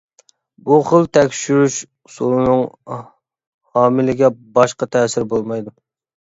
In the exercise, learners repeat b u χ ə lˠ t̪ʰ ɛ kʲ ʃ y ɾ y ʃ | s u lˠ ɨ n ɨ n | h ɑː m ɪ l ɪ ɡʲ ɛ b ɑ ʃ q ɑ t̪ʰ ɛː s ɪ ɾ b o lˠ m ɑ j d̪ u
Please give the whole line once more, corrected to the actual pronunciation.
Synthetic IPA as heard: b u χ ə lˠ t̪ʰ ɛ kʲ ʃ y ɾ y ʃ | s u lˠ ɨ n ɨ ŋ | h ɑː m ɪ l ɪ ɡʲ ɛ b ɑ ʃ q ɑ t̪ʰ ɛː s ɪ ɾ b o lˠ m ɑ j d̪ u